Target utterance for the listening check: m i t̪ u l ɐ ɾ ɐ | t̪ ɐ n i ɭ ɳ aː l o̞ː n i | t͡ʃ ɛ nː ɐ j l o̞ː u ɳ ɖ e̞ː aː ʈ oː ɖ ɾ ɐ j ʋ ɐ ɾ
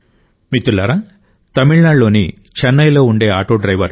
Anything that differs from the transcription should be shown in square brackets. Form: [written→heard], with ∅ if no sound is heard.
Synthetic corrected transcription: m i t̪ u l ɐ ɾ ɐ | t̪ ɐ [n→m] i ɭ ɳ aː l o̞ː n i | t͡ʃ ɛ nː ɐ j l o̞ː u ɳ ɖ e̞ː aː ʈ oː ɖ ɾ ɐ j ʋ ɐ ɾ